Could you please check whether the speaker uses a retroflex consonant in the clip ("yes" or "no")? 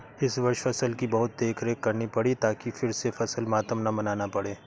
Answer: yes